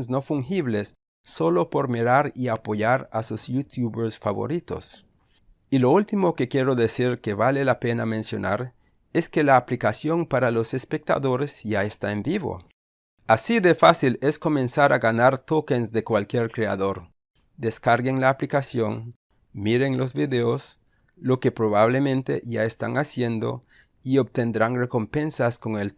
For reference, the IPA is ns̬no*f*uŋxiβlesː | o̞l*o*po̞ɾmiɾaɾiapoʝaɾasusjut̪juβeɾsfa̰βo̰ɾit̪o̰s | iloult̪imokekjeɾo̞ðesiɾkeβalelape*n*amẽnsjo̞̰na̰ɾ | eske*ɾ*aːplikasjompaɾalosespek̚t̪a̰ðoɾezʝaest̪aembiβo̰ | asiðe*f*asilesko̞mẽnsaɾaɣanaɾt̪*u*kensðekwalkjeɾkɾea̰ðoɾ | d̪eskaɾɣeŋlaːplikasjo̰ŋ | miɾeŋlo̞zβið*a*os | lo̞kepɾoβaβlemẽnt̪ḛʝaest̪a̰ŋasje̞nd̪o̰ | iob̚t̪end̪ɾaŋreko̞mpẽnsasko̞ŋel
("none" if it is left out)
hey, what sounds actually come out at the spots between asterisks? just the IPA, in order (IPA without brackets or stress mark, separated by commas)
f, o, n, l, f, o, e